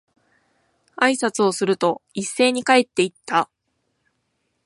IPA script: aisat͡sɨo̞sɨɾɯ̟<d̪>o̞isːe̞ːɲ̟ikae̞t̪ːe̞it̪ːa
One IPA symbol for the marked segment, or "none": t̪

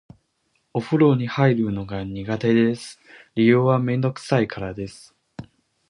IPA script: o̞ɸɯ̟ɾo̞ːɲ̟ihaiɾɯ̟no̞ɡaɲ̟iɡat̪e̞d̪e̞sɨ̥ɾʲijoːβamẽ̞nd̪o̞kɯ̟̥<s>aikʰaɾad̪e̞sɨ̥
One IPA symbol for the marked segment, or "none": s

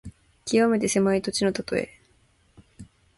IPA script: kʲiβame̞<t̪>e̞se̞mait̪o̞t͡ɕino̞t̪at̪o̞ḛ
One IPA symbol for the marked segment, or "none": t̪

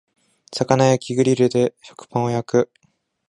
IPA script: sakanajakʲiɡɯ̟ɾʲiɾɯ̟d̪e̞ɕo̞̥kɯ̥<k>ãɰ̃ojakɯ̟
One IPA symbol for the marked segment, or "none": p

